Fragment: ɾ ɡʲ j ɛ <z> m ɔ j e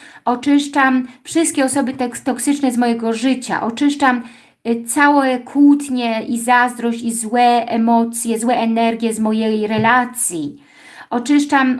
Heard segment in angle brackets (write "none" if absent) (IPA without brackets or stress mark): z